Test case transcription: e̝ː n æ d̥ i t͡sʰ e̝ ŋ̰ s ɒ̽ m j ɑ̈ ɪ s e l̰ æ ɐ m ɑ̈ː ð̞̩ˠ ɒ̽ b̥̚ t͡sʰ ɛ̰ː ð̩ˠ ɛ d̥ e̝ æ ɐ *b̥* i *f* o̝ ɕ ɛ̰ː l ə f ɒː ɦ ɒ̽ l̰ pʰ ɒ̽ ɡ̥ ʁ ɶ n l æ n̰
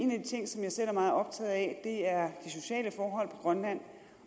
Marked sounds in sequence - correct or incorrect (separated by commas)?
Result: incorrect, incorrect